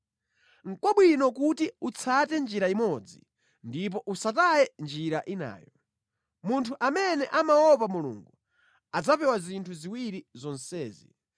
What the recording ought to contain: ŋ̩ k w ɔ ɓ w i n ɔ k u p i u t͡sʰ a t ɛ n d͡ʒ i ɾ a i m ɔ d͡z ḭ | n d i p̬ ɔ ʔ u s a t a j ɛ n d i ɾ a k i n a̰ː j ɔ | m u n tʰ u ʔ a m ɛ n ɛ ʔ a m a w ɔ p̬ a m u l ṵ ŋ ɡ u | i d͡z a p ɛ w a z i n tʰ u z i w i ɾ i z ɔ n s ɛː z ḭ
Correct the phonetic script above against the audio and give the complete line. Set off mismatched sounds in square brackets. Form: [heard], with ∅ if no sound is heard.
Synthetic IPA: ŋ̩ k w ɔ ɓ w i n ɔ k u [t] i u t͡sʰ a t ɛ n d͡ʒ i ɾ a i m ɔ d͡z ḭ | n d i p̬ ɔ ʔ u s a t a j ɛ n [d͡ʒ] i ɾ a [ʔ] i n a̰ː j ɔ | m u n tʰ u ʔ a m ɛ n ɛ ʔ a m a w ɔ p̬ a m u l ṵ ŋ ɡ u | [a] d͡z a p ɛ w a z i n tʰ u z i w i ɾ i z ɔ n s ɛː z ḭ